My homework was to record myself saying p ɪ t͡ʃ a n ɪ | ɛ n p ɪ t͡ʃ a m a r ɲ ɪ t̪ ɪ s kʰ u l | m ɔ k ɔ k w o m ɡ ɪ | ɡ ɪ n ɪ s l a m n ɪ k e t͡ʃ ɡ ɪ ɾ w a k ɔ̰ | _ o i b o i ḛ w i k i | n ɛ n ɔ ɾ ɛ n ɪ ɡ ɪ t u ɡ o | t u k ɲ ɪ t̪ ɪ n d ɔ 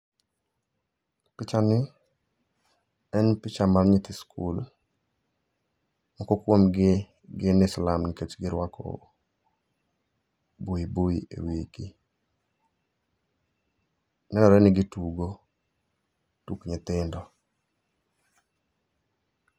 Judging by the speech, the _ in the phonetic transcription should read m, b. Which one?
b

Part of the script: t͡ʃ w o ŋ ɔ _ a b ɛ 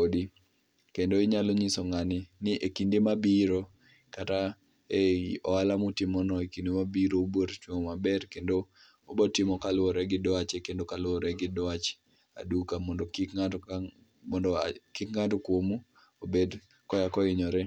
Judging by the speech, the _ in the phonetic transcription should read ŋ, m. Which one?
m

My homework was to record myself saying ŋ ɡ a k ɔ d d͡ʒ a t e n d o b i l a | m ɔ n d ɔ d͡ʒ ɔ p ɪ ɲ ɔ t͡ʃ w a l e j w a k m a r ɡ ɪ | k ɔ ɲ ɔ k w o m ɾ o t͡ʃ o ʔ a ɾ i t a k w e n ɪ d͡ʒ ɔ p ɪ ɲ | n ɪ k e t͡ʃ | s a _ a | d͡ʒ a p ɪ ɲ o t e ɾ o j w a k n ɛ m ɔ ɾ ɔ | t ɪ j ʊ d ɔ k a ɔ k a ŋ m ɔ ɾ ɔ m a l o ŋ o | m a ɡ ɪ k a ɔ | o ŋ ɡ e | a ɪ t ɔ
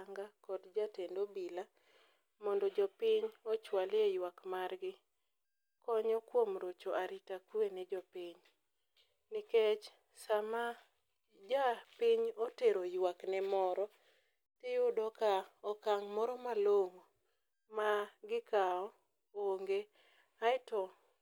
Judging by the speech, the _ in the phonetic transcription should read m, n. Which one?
m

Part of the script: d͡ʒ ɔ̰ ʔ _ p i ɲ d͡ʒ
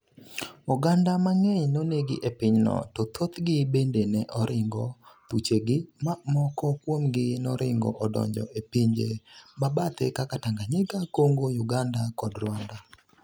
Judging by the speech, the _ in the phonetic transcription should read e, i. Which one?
e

